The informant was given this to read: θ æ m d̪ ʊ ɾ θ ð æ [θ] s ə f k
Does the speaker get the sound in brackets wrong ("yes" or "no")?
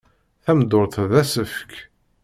yes